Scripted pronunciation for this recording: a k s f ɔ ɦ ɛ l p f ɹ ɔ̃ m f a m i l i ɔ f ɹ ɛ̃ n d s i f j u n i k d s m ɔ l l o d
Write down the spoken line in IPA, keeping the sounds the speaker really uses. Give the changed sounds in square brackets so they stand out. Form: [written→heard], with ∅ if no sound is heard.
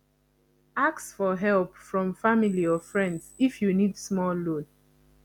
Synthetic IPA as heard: a k s f ɔ ɦ ɛ l p f ɹ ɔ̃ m f a m i l i ɔ f ɹ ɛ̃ n d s i f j u n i [k→∅] d s m ɔ l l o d